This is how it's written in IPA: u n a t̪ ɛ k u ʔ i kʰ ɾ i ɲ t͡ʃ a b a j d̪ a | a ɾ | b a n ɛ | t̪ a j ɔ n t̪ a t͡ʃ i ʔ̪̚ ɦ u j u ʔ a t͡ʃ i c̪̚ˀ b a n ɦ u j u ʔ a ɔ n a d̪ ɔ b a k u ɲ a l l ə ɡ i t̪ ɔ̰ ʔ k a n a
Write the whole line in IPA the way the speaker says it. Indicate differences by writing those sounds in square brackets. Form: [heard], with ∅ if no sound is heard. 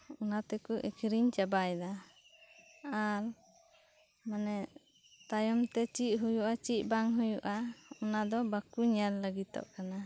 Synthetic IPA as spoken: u n a t̪ ɛ k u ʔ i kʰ ɾ i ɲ t͡ʃ a b a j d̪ a | a ɾ | [m] a n ɛ | t̪ a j ɔ [m] t̪ [ɛ] t͡ʃ i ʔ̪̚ ɦ u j u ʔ a t͡ʃ i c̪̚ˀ b a [ŋ] ɦ u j u ʔ a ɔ n a d̪ ɔ b a k u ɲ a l l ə ɡ i t̪ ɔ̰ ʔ k a n a